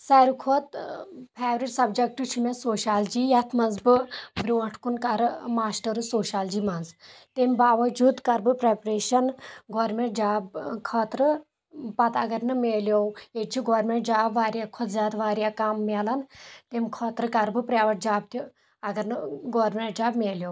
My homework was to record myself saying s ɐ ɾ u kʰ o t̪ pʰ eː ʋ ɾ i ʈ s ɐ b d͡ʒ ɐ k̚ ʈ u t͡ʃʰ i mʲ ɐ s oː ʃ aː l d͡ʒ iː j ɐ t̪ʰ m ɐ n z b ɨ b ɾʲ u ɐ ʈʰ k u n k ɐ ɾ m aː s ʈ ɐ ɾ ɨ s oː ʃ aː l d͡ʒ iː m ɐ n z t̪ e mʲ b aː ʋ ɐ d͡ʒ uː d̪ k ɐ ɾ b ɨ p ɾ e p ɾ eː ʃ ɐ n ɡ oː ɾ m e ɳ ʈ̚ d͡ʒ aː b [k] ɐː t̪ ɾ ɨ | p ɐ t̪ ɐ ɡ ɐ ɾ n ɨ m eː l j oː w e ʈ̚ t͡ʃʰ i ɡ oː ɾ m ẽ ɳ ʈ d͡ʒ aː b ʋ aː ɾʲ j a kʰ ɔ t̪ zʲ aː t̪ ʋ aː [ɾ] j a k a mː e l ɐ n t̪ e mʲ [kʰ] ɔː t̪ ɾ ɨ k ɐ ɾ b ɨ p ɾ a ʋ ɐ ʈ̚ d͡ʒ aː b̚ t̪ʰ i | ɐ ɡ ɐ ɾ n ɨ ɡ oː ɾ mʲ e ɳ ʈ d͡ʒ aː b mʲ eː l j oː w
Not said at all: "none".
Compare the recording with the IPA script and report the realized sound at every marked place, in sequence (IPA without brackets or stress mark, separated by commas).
kʰ, ɾ, kʰ